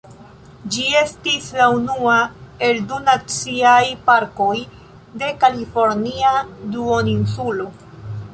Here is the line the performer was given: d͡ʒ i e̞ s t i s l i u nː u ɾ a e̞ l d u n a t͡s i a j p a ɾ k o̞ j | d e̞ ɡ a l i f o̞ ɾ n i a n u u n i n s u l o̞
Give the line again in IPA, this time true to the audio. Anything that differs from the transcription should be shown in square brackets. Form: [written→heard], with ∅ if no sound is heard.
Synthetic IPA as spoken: d͡ʒ i e̞ s t i s l [i→a] u [nː→n] u [ɾ→∅] a e̞ l d u n a t͡s i a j p a ɾ k o̞ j | d e̞ [ɡ→k] a l i f o̞ ɾ n i a [n→d] u [u→o] n i n s u l o̞